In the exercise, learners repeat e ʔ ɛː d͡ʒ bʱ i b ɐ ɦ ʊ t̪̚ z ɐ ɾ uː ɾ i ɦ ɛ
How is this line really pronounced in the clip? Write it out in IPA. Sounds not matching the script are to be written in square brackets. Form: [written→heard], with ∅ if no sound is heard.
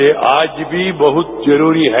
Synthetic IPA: e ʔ [ɛː→aː] d͡ʒ bʱ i b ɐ ɦ ʊ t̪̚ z ɐ ɾ uː ɾ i ɦ ɛ